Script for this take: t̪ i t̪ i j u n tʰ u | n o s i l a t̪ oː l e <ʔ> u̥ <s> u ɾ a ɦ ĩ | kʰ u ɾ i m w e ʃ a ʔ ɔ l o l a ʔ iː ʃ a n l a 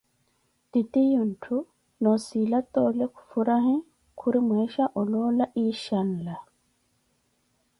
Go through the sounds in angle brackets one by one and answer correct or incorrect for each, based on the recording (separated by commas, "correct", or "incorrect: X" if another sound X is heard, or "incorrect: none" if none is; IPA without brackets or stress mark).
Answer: incorrect: k, incorrect: f